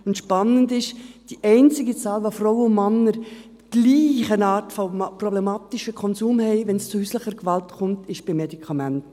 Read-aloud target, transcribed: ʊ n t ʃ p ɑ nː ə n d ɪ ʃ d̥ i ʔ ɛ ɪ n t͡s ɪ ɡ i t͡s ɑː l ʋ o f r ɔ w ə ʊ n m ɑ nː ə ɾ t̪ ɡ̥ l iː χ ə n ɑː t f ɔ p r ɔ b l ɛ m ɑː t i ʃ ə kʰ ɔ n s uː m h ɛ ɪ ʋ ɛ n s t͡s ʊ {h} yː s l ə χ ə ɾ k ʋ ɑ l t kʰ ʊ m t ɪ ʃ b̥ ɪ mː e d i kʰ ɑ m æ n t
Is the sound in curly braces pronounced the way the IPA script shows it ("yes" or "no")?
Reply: yes